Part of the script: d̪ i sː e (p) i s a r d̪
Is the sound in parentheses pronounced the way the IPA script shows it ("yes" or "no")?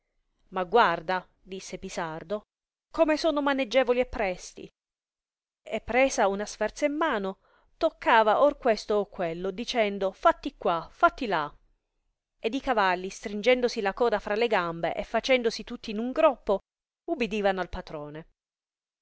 yes